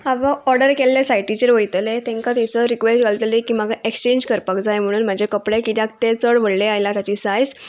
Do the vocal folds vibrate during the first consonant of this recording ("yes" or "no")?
yes